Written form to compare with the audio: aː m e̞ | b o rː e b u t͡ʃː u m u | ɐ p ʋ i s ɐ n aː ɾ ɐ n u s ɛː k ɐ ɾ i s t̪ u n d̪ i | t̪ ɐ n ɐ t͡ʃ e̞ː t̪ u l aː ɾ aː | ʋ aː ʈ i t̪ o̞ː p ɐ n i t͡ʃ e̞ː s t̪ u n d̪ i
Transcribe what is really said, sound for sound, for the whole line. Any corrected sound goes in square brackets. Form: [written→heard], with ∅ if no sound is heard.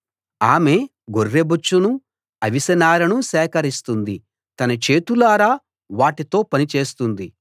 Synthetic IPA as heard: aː m e̞ | [b→ɡ] o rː e b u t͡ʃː u [m→n] u | ɐ [p→∅] ʋ i s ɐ n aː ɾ ɐ n u s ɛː k ɐ ɾ i s t̪ u n d̪ i | t̪ ɐ n ɐ t͡ʃ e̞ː t̪ u l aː ɾ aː | ʋ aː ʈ i t̪ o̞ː p ɐ n i t͡ʃ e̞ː s t̪ u n d̪ i